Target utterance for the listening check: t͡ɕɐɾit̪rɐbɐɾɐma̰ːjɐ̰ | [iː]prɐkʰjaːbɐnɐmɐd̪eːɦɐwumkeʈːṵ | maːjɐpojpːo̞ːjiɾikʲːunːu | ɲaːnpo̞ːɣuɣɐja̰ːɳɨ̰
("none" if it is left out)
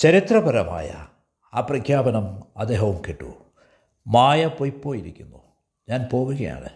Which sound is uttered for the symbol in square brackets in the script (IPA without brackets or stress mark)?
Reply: aː